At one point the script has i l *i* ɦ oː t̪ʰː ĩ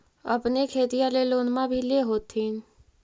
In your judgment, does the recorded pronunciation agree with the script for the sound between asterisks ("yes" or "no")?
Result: no